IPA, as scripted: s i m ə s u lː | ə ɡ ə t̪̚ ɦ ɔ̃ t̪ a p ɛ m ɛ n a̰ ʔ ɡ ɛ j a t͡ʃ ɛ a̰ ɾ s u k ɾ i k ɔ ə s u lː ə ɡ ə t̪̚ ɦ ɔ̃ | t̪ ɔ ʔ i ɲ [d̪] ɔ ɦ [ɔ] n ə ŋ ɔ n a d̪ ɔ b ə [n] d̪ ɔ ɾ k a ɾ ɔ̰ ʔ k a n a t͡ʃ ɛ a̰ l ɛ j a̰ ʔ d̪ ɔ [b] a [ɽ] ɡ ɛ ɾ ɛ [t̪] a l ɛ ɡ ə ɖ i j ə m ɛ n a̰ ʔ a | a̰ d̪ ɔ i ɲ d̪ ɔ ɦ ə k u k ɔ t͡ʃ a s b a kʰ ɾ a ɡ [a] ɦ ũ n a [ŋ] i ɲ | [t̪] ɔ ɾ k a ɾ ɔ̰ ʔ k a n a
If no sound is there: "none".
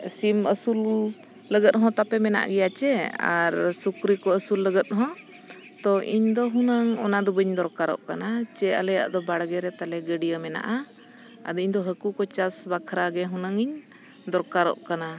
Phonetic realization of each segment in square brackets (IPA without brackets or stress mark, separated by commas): d̪, u, ɲ, b, ɽ, t̪, ɛ, ŋ, d̪